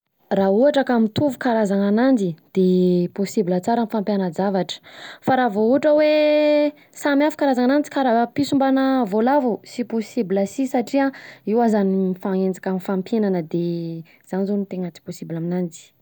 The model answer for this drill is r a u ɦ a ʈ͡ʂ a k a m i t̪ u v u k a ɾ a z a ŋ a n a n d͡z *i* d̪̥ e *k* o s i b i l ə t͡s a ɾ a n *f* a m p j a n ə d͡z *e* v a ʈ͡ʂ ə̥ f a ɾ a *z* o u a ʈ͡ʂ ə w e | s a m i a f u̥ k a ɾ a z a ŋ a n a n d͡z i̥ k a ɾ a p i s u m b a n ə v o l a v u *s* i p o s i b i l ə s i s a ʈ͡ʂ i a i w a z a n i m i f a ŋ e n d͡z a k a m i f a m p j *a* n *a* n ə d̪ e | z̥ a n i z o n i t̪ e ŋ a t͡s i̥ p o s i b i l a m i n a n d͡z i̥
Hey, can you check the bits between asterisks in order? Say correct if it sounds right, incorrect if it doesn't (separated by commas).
correct, incorrect, correct, incorrect, incorrect, correct, incorrect, correct